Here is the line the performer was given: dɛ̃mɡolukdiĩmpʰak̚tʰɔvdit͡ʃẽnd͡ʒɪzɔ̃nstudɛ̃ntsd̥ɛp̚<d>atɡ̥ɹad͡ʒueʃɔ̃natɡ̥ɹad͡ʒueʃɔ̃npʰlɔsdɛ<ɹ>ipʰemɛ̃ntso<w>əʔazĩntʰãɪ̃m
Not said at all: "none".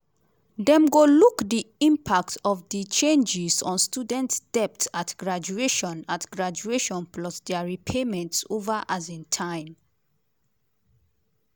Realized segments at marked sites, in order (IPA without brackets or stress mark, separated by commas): t, ɹ, v